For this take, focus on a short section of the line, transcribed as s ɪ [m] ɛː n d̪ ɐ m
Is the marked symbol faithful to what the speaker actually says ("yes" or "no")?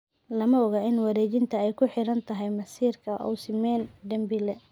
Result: yes